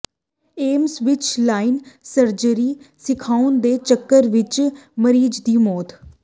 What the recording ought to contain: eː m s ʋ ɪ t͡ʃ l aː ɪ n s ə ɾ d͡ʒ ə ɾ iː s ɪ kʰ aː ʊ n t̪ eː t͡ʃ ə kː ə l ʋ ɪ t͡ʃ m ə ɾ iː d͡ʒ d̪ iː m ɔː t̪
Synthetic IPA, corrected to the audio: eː m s ʋ ɪ t͡ʃ l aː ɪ n s ə ɾ d͡ʒ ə ɾ iː s ɪ kʰ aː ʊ n d̪ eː t͡ʃ ə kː ə ɾ ʋ ɪ t͡ʃ m ə ɾ iː d͡ʒ d̪ iː m ɔː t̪